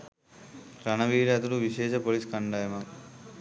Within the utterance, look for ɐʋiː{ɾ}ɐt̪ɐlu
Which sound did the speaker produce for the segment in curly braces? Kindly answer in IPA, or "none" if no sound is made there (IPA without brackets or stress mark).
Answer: ɾ